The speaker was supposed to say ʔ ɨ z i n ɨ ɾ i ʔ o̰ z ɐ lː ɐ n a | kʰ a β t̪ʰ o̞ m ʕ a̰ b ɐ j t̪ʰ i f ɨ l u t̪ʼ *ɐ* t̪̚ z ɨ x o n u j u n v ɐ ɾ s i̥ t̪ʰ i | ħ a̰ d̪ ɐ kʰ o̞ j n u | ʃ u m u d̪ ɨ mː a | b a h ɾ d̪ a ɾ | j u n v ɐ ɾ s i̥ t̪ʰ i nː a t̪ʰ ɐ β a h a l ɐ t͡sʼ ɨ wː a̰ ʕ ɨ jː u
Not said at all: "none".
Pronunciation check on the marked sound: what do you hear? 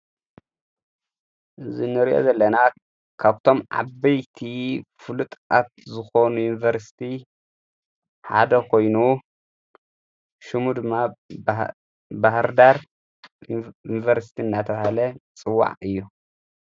a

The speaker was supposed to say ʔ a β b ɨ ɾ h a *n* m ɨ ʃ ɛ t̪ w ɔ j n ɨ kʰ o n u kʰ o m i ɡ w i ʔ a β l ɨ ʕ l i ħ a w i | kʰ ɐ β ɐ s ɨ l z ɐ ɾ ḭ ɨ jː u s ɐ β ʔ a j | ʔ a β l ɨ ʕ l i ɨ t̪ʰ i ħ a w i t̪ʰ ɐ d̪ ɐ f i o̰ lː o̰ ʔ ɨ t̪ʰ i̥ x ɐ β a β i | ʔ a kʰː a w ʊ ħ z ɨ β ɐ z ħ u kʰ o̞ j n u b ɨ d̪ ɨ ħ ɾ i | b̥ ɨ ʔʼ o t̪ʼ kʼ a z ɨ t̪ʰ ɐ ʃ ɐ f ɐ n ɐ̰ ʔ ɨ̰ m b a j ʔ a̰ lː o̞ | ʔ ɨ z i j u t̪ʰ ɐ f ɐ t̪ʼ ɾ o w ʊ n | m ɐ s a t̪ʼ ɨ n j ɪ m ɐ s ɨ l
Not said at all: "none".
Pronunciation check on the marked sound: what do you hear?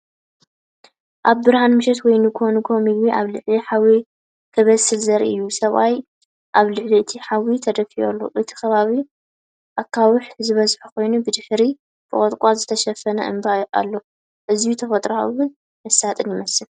n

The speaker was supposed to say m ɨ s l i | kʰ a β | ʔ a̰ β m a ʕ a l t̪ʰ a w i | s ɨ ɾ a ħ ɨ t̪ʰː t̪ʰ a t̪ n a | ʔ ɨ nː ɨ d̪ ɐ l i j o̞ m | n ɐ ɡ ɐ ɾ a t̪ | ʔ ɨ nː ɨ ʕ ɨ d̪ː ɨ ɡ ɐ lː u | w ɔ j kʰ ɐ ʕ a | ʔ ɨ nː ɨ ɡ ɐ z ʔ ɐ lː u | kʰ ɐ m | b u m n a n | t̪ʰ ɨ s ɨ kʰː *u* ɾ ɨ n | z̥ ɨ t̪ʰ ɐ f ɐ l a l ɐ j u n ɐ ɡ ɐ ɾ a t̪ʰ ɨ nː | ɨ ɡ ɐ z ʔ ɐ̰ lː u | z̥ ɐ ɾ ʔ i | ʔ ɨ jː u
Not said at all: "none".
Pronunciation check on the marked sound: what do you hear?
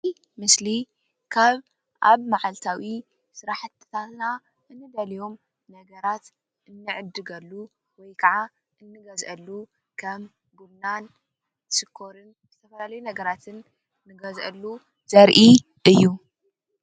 o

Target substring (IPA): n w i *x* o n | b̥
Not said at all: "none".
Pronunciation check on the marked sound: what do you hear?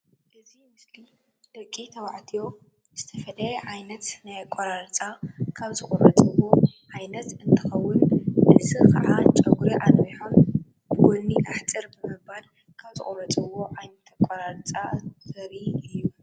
ħ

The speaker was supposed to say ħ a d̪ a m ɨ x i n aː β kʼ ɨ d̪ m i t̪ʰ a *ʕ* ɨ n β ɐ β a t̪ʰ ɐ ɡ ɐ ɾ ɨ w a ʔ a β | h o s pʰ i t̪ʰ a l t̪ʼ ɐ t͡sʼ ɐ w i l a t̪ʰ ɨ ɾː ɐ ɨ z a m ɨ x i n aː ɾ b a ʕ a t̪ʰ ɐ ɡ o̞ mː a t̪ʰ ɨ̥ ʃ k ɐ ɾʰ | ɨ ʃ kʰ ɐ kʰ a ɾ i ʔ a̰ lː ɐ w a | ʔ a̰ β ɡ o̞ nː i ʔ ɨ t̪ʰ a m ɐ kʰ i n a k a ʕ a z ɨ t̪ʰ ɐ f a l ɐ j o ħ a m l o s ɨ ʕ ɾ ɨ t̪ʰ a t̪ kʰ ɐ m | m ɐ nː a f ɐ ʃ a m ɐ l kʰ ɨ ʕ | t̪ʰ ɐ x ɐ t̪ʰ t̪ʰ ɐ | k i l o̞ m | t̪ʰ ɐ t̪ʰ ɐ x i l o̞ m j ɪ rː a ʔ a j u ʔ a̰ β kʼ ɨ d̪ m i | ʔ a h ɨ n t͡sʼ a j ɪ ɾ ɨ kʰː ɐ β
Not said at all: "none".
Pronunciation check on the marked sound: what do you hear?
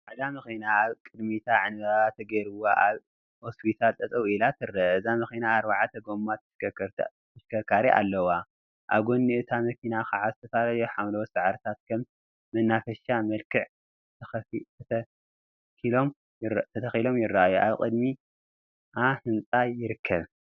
ʕ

